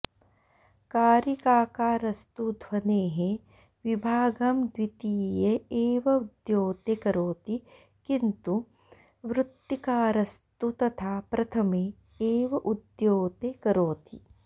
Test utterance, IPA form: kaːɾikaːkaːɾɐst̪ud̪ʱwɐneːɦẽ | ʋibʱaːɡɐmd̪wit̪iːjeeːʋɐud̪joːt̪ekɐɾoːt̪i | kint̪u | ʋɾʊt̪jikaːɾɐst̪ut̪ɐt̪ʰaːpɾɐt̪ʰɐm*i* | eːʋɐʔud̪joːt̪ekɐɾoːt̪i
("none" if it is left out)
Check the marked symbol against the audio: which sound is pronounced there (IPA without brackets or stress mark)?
e